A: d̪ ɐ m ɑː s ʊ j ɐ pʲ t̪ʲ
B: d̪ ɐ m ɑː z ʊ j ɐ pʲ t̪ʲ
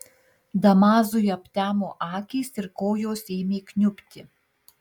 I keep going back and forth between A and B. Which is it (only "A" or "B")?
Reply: B